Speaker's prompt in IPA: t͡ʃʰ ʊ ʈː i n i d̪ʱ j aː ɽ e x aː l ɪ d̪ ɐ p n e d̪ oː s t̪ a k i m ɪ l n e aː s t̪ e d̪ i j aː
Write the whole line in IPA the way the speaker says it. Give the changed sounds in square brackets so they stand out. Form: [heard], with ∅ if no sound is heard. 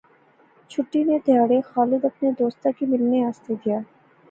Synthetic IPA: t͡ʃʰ ʊ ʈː i n [e] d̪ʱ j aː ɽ e x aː l ɪ d̪ ɐ p n e d̪ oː s t̪ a k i m ɪ l n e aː s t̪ e d̪ i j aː

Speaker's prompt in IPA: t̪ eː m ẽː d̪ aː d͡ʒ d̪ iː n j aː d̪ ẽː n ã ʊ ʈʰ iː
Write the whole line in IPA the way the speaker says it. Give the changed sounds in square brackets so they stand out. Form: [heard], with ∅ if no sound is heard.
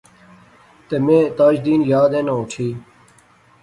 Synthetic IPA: t̪ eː m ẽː [t̪] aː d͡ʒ d̪ iː n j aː d̪ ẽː n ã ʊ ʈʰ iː

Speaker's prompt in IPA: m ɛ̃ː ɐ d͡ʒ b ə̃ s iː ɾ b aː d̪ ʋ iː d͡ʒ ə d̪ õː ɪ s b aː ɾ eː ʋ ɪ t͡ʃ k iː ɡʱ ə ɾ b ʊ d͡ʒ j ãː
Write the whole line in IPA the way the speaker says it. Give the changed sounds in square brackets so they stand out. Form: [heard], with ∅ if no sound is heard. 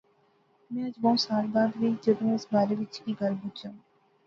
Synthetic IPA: m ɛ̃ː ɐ d͡ʒ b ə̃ s [aː] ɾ b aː d̪ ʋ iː d͡ʒ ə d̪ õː ɪ s b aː ɾ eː ʋ ɪ t͡ʃ k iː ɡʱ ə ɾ b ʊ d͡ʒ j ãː

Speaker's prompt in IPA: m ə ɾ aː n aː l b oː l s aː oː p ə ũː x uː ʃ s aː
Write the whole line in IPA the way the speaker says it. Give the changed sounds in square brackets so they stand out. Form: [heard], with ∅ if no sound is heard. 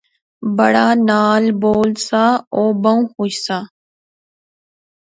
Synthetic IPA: [b] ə [ɽ] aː n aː l b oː l s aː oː [b] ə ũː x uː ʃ s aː

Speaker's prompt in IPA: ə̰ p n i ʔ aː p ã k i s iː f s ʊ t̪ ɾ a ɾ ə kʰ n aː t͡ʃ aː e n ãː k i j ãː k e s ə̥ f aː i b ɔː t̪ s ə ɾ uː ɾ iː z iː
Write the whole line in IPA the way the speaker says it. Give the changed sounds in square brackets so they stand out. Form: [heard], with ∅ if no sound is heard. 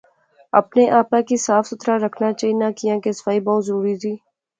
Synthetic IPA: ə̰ p n [e] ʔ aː p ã k i s [aː] f s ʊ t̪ ɾ a ɾ ə kʰ n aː t͡ʃ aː [i] n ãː k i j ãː k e s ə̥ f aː i b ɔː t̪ [z] ə ɾ uː ɾ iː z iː

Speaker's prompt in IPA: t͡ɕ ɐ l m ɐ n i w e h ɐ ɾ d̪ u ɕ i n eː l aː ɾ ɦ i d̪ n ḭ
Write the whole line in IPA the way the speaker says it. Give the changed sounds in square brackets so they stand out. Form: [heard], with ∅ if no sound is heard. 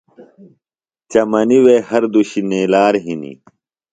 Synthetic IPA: t͡ɕ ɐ [∅] m ɐ n i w e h ɐ ɾ d̪ u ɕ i n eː l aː ɾ ɦ i [∅] n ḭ

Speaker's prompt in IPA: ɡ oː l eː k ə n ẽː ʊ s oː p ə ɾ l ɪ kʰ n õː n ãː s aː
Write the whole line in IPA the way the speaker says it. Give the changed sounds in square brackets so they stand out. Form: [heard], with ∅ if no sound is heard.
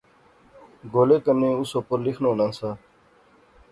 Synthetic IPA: ɡ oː l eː k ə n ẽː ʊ s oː p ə ɾ l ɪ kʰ n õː n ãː s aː

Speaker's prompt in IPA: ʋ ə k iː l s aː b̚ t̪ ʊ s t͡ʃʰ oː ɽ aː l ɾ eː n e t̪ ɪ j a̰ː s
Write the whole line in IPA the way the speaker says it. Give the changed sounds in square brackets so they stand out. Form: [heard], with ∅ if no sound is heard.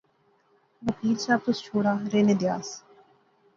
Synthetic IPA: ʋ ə k iː l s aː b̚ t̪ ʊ s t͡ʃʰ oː ɽ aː [∅] ɾ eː n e [d̪] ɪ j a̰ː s

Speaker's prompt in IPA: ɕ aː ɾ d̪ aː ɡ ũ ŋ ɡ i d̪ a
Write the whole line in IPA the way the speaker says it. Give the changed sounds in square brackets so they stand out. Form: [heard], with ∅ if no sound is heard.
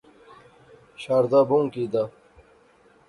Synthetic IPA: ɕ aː ɾ d̪ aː [b] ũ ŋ [k] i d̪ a

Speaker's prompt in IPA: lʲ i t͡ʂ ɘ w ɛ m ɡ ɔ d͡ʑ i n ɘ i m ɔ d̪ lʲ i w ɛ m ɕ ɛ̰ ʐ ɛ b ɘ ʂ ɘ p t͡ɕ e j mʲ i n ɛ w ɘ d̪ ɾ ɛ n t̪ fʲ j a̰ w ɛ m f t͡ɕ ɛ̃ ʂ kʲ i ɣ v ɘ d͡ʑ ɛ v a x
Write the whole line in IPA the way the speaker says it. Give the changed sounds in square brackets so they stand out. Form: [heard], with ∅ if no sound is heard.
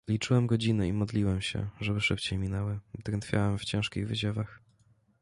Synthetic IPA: lʲ i t͡ʂ ɘ w ɛ m ɡ ɔ d͡ʑ i n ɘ i m ɔ d̪ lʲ i w ɛ m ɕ ɛ̰ ʐ ɛ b ɘ ʂ ɘ p t͡ɕ e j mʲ i n ɛ w ɘ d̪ ɾ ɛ n t̪ fʲ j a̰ w ɛ m f t͡ɕ ɛ̃ ʂ kʲ i ɣ v ɘ d͡ʑ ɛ v a x

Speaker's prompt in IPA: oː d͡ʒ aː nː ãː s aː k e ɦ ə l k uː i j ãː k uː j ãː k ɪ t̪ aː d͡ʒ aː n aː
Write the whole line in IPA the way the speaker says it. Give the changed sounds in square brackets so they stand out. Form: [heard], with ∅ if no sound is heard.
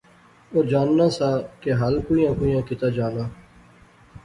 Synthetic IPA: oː d͡ʒ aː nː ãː s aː k e ɦ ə l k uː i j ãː k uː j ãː k ɪ t̪ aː d͡ʒ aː n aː

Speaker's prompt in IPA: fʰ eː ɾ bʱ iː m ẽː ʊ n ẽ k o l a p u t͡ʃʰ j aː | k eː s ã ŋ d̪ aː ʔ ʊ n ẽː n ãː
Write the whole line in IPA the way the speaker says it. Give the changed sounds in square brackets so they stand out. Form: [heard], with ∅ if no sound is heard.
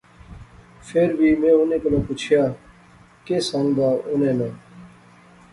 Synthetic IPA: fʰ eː ɾ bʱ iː m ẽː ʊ n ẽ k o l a p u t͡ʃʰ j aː | k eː s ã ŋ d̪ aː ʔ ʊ n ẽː n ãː

